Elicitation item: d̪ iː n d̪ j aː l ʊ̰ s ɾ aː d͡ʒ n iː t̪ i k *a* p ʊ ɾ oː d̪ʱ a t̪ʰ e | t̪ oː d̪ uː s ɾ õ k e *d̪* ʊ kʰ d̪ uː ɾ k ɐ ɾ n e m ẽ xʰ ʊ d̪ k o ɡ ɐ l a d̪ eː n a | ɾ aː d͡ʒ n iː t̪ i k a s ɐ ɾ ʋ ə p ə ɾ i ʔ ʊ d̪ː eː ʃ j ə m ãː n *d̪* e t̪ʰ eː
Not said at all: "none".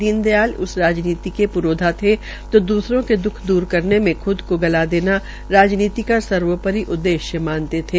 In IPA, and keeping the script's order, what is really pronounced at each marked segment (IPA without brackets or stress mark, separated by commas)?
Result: e, d̪, t̪